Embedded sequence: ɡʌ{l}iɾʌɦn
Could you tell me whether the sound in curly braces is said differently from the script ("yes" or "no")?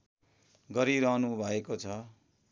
yes